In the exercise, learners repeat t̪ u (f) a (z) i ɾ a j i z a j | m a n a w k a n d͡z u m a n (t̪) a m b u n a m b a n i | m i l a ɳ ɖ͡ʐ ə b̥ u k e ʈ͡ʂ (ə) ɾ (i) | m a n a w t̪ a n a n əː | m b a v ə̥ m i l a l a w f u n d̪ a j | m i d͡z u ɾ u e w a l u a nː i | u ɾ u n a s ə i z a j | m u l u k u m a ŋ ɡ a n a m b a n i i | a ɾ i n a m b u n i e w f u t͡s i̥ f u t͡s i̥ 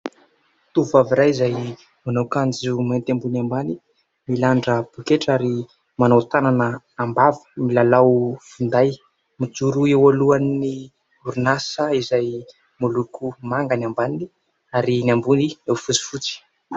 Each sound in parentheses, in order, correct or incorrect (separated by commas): incorrect, incorrect, correct, incorrect, correct